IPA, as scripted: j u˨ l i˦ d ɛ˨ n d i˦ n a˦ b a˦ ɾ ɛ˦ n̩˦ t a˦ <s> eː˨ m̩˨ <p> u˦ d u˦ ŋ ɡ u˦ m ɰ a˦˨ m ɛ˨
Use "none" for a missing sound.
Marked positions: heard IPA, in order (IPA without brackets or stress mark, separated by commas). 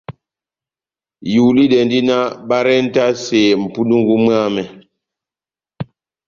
s, p